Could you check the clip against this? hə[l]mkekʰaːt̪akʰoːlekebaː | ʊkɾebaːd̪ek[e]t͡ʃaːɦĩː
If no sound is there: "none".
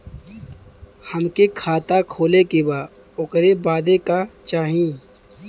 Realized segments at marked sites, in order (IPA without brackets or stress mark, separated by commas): none, a